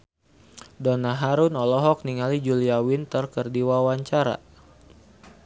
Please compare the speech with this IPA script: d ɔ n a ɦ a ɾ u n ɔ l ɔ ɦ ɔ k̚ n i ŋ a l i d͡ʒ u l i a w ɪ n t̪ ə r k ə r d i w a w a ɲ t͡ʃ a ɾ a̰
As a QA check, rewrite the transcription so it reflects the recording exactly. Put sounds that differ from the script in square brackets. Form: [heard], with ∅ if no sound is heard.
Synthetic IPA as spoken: d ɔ n a ɦ a ɾ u n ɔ l ɔ ɦ ɔ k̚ n i ŋ a l i d͡ʒ u l i a w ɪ n t̪ ə r k ə r d i w a w a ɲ t͡ʃ a ɾ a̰